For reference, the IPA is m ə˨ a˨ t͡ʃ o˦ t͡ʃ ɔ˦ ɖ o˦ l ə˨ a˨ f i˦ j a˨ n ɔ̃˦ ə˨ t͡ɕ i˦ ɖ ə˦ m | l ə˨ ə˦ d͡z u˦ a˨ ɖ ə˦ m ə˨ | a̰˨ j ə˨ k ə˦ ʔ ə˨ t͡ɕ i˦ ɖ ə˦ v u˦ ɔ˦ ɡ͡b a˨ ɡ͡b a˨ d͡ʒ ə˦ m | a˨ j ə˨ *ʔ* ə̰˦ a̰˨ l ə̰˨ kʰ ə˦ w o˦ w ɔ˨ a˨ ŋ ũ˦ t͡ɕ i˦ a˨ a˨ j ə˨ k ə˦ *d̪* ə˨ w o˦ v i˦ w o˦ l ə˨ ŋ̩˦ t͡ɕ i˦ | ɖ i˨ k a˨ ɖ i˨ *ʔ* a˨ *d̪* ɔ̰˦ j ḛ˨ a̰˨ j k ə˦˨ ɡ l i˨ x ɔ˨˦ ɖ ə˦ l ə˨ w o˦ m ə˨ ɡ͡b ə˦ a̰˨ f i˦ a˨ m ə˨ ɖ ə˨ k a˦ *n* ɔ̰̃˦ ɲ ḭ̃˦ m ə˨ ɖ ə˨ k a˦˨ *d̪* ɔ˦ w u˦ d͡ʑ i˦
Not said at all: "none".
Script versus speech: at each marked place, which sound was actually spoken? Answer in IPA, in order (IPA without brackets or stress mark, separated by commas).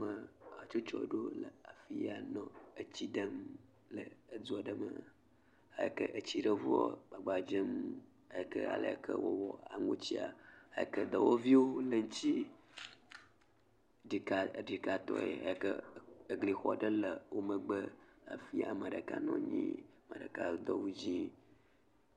k, d̪, k, t̪, n, d̪